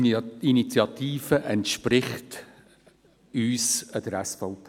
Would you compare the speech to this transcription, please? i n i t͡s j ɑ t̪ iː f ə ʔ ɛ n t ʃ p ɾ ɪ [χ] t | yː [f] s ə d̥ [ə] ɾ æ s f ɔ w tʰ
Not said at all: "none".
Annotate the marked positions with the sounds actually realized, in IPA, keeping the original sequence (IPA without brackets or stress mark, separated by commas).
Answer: χ, none, ə